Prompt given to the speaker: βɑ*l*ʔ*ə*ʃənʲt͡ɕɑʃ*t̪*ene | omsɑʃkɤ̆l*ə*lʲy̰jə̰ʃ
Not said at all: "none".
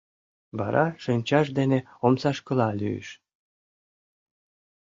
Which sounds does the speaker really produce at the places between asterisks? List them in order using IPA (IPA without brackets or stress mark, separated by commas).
ɾ, ɑ, d̪, ɑ